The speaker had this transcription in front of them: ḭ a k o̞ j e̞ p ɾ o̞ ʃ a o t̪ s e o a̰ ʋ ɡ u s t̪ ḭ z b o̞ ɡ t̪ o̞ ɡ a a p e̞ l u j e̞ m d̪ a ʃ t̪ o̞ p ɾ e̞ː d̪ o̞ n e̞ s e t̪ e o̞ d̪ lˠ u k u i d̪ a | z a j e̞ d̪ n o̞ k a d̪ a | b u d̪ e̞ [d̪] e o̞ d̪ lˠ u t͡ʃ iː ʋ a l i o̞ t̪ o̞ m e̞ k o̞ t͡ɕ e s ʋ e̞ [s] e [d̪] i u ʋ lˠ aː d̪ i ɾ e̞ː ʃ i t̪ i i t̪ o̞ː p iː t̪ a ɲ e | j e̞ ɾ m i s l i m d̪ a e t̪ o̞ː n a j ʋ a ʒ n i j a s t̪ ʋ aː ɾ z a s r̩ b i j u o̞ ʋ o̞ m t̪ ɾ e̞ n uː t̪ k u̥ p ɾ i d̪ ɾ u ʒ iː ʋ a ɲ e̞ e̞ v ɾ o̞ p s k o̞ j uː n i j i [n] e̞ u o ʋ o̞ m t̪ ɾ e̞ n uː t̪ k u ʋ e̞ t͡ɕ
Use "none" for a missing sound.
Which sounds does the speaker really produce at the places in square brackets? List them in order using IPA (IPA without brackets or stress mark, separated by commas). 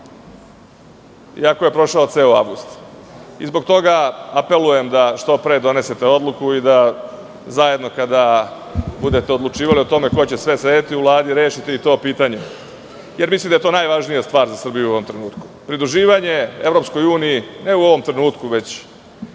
t̪, s, t̪, n